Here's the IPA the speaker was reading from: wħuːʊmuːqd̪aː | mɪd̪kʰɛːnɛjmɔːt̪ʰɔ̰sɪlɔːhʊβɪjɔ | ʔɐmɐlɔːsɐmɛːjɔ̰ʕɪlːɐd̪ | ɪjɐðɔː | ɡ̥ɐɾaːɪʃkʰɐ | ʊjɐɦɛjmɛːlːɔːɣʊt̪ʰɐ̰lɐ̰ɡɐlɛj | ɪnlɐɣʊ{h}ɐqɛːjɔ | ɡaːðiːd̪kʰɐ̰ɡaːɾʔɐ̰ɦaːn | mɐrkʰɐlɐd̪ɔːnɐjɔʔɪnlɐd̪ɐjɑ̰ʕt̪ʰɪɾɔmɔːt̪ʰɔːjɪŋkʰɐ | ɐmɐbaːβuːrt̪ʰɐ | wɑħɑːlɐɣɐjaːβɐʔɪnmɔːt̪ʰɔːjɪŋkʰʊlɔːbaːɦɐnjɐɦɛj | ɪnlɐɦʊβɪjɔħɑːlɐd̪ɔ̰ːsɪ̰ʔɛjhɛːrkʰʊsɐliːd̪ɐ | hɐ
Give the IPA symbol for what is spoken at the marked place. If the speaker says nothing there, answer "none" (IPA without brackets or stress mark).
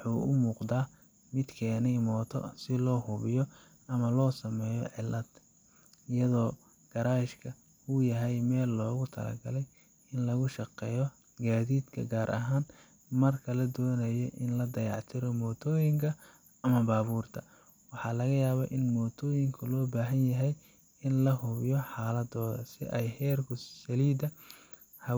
ʃ